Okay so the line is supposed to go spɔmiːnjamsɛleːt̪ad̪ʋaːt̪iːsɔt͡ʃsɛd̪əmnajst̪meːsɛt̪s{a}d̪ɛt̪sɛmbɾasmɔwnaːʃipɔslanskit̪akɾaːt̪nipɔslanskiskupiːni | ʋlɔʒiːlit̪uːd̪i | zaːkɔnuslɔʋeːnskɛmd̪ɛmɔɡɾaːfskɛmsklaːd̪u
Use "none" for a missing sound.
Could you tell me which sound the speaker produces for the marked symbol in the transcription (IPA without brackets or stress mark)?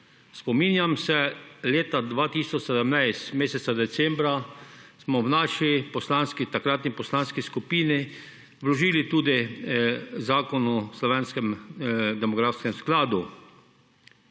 a